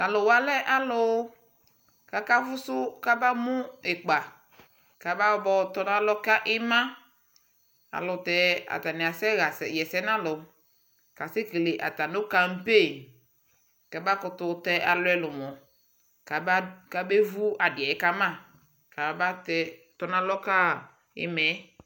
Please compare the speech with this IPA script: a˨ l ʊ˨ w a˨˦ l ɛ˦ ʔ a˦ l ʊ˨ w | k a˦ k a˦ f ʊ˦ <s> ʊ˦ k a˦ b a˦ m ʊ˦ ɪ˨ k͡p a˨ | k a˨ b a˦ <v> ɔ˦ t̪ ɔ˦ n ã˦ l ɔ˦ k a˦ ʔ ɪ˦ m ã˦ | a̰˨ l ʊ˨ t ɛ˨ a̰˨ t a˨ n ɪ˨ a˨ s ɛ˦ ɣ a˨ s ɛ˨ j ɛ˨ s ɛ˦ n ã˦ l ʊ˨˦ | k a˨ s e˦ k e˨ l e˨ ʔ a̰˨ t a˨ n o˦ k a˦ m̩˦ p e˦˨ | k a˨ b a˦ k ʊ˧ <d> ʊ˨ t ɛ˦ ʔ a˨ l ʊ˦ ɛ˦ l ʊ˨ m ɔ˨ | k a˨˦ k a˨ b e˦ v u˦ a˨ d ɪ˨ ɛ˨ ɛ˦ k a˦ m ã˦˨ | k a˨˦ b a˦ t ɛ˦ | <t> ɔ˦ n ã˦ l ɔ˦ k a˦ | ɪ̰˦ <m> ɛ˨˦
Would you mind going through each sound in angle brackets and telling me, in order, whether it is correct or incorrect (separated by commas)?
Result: correct, incorrect, incorrect, correct, correct